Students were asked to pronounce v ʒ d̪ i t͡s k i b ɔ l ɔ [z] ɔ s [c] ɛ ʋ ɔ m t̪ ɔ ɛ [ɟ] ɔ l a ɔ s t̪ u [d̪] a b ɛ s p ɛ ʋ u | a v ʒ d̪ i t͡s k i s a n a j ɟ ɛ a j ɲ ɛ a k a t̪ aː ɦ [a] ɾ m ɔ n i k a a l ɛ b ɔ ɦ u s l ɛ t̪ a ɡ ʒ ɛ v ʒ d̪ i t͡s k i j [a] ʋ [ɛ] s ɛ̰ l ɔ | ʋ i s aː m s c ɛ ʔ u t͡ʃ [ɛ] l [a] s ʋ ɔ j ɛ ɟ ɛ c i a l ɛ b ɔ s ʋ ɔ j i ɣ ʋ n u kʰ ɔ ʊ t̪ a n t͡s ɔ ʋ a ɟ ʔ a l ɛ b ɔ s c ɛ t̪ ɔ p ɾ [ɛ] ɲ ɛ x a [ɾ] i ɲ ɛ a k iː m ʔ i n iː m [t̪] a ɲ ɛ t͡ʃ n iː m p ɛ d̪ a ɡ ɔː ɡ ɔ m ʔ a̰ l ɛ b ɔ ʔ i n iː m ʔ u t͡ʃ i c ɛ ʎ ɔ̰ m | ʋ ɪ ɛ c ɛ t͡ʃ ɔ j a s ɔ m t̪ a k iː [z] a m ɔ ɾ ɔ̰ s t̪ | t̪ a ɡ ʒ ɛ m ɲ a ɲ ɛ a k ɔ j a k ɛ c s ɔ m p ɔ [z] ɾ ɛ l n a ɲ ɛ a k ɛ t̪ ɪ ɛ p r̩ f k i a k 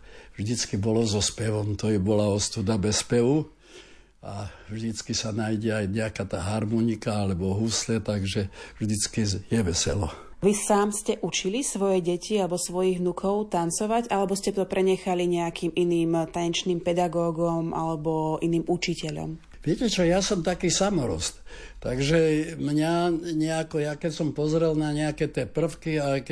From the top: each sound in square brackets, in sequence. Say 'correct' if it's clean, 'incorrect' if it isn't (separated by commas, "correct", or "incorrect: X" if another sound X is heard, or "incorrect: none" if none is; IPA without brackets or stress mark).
correct, incorrect: p, incorrect: b, correct, correct, incorrect: ɛ, correct, incorrect: i, incorrect: i, correct, incorrect: l, correct, incorrect: s, correct